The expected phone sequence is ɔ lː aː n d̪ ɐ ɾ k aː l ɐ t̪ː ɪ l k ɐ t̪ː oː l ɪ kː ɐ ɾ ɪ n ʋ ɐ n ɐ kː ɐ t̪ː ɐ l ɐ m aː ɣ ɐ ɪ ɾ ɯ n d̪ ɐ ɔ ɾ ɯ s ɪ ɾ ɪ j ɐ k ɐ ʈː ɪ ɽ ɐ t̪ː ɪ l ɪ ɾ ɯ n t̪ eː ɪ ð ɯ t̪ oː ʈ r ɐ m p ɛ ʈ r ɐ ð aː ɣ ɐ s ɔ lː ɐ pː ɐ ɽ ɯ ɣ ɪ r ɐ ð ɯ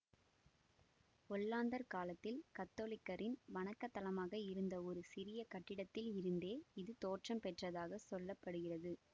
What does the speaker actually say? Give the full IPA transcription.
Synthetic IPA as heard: ɔ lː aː n d̪ ɐ ɾ k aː l ɐ t̪ː ɪ l k ɐ t̪ː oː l ɪ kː ɐ ɾ ɪ n ʋ ɐ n ɐ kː ɐ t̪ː ɐ l ɐ m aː ɣ ɐ ɪ ɾ ɯ n d̪ ɐ ɔ ɾ ɯ s ɪ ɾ ɪ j ɐ k ɐ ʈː ɪ ɽ ɐ t̪ː ɪ l ɪ ɾ ɯ n d̪ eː ɪ ð ɯ t̪ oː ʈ r ɐ m p ɛ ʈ r ɐ ð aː ɣ ɐ s ɔ lː ɐ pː ɐ ɽ ɯ ɣ ɪ r ɐ ð ɯ